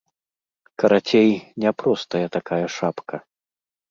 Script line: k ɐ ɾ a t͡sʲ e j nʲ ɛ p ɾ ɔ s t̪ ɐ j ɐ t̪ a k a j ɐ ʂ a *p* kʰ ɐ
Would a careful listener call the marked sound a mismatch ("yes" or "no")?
no